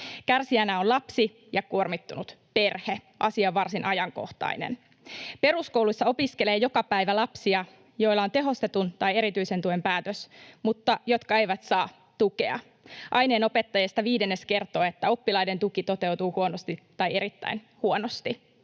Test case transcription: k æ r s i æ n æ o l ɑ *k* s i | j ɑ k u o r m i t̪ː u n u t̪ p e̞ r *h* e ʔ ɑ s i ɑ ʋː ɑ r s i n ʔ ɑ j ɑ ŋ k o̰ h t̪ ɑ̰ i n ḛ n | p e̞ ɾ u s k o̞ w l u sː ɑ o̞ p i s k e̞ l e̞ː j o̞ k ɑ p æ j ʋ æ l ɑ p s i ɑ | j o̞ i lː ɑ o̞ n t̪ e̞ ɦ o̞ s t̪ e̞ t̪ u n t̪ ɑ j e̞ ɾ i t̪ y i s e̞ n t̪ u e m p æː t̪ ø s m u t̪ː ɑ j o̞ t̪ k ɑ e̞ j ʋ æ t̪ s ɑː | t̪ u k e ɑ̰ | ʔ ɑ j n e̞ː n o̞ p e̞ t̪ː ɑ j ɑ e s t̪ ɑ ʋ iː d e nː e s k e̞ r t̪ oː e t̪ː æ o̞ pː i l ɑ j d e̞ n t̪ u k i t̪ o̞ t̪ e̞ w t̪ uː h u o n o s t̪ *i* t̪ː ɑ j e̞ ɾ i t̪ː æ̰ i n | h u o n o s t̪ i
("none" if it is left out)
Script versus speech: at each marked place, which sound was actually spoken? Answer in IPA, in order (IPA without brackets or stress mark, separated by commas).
p, h, i